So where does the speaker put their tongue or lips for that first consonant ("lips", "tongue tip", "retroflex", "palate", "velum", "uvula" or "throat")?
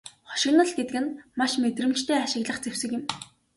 uvula